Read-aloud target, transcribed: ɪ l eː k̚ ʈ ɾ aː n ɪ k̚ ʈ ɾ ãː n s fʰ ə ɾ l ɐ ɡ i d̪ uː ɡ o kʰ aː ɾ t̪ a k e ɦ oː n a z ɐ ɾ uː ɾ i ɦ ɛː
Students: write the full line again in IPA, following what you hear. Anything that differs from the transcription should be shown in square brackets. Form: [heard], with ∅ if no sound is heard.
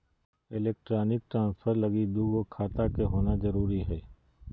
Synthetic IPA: ɪ l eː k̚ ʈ ɾ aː n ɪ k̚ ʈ ɾ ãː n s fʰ ə ɾ l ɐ ɡ i d̪ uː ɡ o kʰ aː [∅] t̪ a k e ɦ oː n a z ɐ ɾ uː ɾ i ɦ ɛː